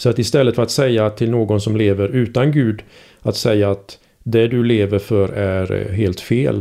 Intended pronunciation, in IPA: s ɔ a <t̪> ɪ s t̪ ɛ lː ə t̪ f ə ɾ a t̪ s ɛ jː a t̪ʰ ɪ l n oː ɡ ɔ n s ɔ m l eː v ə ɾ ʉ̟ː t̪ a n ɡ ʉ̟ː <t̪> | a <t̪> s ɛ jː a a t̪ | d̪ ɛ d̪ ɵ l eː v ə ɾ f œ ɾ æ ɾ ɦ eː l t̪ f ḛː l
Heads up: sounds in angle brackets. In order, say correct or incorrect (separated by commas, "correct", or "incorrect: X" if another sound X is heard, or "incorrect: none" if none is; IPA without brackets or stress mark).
correct, incorrect: d̪, correct